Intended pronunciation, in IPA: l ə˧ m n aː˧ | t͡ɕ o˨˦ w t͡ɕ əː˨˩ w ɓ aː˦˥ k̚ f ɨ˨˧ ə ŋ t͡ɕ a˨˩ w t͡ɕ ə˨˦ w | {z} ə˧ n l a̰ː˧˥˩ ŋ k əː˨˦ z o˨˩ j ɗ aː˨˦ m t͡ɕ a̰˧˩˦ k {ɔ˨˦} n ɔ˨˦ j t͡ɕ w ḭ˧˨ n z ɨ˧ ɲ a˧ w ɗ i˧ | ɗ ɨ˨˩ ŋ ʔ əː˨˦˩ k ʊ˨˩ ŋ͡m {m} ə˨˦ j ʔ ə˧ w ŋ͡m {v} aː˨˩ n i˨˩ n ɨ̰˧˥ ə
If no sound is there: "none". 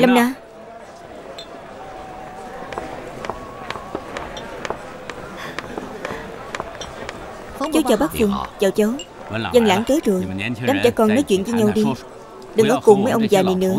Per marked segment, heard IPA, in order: z, ɔ˨˩, m, z

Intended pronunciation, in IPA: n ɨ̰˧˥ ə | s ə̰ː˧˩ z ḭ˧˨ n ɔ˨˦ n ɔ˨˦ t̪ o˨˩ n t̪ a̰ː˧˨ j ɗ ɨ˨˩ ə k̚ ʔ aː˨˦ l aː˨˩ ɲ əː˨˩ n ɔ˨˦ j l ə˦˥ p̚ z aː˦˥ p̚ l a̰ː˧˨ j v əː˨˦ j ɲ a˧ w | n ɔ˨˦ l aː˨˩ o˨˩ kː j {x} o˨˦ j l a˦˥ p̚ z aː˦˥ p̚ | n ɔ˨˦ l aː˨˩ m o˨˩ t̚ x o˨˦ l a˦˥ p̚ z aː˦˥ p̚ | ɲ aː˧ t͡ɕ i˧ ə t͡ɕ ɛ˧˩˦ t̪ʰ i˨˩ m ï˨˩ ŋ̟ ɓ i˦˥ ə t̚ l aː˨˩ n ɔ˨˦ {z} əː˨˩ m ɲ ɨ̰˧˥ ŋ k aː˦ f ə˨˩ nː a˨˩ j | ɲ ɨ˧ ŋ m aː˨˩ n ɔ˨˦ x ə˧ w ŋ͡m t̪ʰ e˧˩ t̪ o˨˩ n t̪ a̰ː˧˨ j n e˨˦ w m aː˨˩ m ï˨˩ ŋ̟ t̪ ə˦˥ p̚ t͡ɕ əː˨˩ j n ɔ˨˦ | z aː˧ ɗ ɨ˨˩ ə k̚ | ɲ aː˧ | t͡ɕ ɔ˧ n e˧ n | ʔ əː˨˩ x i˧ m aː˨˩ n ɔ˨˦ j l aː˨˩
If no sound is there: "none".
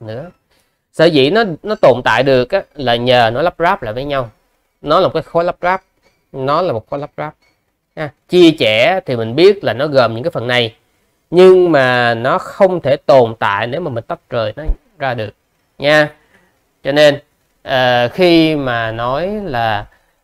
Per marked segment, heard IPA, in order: x, ɣ

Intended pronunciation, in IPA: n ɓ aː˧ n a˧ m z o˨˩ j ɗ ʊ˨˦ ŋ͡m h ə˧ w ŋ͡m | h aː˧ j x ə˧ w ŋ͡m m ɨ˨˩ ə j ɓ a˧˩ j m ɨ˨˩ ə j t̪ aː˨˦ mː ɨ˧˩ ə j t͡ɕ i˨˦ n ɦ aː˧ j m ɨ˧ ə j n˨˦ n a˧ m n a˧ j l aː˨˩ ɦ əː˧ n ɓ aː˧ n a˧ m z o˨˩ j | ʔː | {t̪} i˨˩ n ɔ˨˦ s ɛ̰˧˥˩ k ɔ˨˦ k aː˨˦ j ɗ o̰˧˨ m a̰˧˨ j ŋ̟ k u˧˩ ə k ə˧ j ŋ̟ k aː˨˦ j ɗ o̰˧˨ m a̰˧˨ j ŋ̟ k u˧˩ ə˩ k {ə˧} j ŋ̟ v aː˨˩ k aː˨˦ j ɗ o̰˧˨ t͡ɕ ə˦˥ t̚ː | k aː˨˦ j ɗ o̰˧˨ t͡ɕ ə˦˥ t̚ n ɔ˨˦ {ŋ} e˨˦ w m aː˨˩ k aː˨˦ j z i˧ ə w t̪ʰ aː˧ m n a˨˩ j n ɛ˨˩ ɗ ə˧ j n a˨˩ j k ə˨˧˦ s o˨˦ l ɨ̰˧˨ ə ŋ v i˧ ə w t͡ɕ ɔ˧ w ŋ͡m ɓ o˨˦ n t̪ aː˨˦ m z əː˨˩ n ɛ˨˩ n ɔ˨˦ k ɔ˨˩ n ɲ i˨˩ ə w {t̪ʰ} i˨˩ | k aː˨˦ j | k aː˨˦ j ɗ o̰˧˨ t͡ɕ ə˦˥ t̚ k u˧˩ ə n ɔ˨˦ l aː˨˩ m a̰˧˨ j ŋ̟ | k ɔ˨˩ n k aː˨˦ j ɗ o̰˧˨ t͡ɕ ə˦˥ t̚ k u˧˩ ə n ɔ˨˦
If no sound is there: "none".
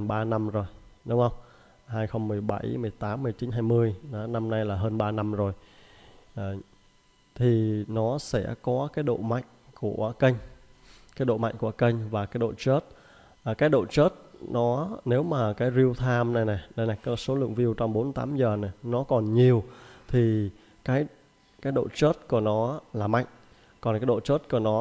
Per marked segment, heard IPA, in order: t̪ʰ, ə˧, n, t̪ʰ

